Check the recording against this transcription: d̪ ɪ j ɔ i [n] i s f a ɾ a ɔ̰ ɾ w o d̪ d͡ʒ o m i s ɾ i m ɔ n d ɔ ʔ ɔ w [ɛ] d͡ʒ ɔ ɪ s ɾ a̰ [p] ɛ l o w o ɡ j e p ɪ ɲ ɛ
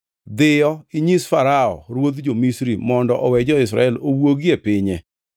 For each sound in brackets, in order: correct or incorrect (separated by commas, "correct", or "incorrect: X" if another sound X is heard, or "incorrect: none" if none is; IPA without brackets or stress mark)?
incorrect: ɲ, correct, incorrect: none